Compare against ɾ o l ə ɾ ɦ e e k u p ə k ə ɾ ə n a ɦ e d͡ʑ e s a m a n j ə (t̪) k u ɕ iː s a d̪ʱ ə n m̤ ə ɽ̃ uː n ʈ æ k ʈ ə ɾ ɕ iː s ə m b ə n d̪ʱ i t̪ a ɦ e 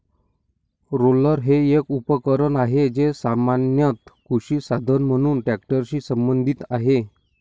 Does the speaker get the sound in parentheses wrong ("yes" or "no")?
no